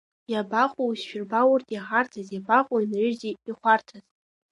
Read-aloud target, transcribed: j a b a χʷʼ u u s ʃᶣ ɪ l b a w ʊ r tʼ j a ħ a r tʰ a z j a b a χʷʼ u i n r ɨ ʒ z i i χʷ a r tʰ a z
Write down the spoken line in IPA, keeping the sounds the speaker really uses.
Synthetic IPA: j a b a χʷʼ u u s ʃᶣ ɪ r b a w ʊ r tʼ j a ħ a r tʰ a z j a b a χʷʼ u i n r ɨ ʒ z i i χʷ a r tʰ a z